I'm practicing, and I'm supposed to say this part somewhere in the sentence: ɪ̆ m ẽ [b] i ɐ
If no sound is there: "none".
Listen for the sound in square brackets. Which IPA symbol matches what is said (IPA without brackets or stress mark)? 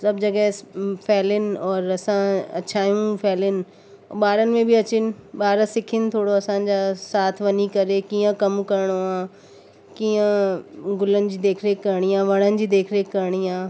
b